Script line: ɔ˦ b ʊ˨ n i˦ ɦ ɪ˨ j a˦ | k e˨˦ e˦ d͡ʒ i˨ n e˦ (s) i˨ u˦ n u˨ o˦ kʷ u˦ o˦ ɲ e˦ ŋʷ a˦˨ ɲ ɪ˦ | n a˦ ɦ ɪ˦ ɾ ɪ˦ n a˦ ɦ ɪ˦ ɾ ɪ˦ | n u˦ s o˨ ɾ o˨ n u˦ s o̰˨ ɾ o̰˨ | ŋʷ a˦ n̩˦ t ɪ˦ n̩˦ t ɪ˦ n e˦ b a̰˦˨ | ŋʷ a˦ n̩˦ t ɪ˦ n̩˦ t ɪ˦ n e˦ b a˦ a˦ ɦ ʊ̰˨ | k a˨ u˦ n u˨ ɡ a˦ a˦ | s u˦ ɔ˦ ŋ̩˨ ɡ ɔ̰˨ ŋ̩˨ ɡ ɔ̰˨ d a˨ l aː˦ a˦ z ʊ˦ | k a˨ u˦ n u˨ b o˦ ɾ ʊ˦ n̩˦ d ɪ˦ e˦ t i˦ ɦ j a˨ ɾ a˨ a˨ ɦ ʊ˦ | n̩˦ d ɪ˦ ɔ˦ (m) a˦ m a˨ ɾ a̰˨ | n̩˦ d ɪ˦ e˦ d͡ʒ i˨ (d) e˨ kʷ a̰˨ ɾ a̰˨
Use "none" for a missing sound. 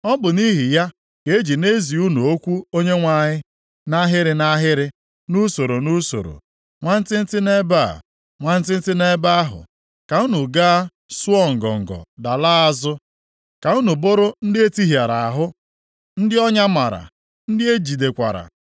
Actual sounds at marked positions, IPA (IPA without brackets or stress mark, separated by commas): z, ɲ, d